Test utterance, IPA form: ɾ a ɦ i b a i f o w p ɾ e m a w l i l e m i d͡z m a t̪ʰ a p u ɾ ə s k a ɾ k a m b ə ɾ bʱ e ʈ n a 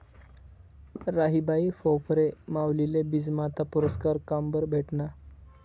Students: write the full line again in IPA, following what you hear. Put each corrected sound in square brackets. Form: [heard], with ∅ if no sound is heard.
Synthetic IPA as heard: ɾ a ɦ i b a i f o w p ɾ e m a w l i l e [b] i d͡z m a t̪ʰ a p u ɾ ə s k a ɾ k a m b ə ɾ bʱ e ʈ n a